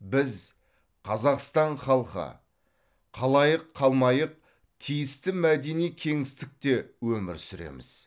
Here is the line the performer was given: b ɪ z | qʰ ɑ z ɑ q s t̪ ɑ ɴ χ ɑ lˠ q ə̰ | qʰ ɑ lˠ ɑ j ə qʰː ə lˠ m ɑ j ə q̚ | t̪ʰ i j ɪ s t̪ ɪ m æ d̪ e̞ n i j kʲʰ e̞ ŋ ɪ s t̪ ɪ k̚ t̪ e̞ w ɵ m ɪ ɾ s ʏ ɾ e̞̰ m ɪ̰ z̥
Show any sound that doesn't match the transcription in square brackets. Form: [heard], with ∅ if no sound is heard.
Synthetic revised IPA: b ɪ z | qʰ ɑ z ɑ q s t̪ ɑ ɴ χ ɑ lˠ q ə̰ | qʰ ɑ lˠ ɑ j ə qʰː [ɑ] lˠ m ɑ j ə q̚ | t̪ʰ i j ɪ s t̪ ɪ m æ d̪ e̞ n i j kʲʰ e̞ ŋ ɪ s t̪ ɪ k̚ t̪ e̞ w ɵ m ɪ ɾ s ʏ ɾ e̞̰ m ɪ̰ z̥